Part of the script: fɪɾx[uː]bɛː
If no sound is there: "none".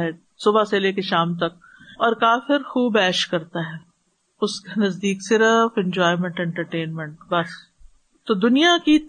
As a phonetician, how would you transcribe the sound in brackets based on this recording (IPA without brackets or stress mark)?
uː